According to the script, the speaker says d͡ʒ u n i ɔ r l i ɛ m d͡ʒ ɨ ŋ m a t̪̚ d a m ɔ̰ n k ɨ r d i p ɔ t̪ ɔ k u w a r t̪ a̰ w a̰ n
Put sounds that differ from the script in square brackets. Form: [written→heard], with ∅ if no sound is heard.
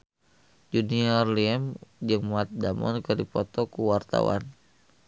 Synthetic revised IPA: d͡ʒ u n i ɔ r l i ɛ m d͡ʒ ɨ ŋ m a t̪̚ d a m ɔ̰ n k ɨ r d i p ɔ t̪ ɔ k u w a r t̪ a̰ w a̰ n